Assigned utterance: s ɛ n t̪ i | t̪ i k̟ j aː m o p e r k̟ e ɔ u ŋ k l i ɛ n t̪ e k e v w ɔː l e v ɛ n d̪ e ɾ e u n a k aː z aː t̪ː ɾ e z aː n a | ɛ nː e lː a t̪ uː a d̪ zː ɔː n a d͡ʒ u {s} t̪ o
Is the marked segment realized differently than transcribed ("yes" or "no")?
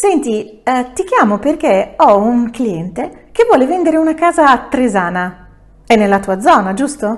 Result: no